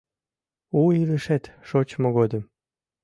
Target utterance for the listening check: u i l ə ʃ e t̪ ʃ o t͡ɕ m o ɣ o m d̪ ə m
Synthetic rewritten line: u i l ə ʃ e t̪ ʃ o t͡ɕ m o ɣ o d̪ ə m